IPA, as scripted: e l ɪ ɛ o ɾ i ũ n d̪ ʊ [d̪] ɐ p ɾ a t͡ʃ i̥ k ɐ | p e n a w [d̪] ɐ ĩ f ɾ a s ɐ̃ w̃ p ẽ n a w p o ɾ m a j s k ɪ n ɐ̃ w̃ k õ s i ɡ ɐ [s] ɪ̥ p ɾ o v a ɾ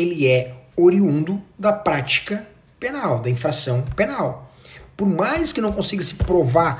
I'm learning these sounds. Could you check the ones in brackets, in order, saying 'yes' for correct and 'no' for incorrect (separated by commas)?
yes, yes, yes